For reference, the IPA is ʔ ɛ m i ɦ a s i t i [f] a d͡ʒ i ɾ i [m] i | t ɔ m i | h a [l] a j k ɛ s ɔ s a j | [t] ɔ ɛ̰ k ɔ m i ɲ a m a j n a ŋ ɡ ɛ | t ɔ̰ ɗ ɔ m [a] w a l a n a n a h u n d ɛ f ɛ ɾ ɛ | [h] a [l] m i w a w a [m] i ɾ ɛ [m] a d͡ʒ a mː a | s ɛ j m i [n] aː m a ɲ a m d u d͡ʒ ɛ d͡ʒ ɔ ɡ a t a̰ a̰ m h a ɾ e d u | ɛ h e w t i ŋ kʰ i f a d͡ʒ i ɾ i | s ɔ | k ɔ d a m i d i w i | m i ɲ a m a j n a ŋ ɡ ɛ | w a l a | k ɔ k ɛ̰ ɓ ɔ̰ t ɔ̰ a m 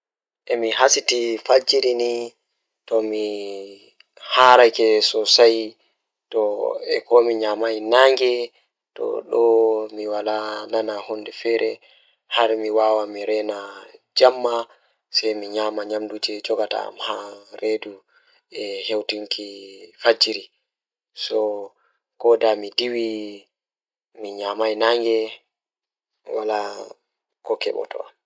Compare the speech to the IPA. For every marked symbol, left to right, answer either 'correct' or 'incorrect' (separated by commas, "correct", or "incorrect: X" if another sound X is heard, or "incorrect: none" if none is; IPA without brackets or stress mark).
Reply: correct, incorrect: n, incorrect: ɾ, correct, incorrect: i, correct, incorrect: ɾ, correct, incorrect: n, incorrect: ɲ